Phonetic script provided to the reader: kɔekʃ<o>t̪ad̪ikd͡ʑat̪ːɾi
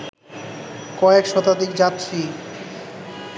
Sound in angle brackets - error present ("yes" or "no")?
yes